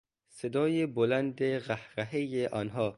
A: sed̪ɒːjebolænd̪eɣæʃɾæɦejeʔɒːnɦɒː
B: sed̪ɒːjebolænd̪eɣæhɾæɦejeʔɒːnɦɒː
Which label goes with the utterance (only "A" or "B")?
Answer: B